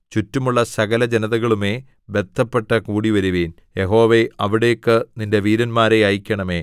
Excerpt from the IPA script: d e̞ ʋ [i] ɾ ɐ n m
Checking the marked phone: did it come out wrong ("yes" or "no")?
yes